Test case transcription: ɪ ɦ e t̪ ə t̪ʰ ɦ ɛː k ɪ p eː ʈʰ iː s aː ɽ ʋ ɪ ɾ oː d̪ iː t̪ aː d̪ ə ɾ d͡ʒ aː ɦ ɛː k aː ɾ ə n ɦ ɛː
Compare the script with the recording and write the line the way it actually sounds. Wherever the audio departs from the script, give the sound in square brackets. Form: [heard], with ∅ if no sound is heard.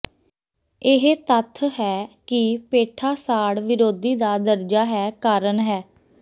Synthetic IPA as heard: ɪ ɦ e t̪ ə t̪ʰ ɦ ɛː k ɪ p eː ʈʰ [aː] s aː ɽ ʋ ɪ ɾ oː d̪ iː [d̪] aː d̪ ə ɾ d͡ʒ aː ɦ ɛː k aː ɾ ə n ɦ ɛː